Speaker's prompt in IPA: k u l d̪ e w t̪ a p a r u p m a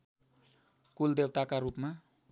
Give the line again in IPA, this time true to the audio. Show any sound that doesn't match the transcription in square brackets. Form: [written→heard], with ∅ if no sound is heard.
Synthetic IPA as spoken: k u l d̪ e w t̪ a [p→k] a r u p m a